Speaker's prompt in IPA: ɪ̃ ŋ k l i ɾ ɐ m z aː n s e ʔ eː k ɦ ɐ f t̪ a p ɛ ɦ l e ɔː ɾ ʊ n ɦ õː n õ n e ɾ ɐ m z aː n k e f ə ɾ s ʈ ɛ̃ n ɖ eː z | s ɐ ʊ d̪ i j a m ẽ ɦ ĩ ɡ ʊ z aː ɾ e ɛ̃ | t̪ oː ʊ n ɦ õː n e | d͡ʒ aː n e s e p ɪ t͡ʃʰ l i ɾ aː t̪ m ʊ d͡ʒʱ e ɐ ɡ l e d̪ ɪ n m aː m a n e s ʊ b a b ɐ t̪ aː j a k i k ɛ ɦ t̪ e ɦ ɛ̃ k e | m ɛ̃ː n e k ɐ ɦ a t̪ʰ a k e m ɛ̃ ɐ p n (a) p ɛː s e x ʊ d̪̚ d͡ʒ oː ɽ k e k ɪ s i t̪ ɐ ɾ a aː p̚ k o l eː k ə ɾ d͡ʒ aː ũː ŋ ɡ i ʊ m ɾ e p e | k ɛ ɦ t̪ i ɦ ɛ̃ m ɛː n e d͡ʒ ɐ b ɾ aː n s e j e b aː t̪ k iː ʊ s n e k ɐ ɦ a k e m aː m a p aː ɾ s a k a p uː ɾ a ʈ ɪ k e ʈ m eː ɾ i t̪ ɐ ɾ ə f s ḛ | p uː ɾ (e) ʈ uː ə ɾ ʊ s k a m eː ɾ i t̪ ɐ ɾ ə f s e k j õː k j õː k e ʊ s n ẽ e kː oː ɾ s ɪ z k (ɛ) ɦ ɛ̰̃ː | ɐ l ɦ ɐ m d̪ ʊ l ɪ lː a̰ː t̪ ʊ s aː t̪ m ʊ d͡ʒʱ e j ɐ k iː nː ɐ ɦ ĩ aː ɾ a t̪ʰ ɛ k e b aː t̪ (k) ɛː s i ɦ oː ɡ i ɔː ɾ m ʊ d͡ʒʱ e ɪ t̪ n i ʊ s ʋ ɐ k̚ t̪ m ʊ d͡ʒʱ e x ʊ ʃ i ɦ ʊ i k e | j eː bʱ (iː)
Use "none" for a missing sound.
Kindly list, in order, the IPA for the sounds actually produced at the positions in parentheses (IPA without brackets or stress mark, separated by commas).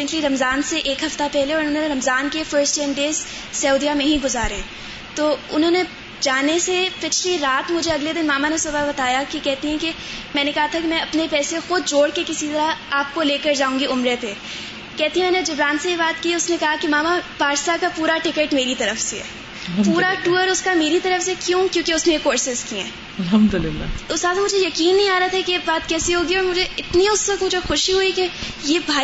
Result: e, a, i, k, aː